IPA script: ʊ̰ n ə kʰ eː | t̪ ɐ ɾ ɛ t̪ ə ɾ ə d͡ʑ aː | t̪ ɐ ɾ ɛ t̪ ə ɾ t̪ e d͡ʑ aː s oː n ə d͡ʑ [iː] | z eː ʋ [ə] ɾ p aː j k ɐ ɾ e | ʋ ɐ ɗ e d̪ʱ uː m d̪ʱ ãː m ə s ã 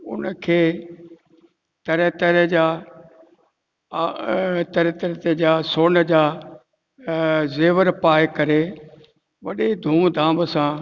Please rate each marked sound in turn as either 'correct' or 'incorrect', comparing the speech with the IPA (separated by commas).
incorrect, correct